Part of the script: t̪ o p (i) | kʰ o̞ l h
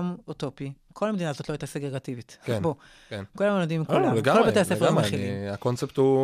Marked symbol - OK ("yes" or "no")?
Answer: yes